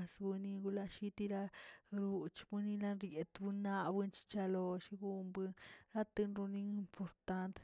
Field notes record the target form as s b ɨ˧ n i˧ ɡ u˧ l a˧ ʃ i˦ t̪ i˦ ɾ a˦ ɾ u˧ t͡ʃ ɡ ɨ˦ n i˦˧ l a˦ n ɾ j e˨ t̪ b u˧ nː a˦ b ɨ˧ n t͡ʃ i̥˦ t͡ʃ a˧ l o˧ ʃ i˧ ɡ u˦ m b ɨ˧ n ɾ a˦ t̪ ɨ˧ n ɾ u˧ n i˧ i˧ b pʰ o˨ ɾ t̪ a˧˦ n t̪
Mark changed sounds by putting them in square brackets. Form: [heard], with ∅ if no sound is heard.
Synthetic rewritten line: s b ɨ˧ n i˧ ɡ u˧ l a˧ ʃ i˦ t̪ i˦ ɾ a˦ ɾ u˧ t͡ʃ [b] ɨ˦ n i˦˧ l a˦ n ɾ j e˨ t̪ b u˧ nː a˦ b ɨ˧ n t͡ʃ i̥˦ t͡ʃ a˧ l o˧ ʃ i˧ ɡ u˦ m b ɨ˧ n ɾ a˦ t̪ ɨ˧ n ɾ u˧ n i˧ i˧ [m] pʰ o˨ ɾ t̪ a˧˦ n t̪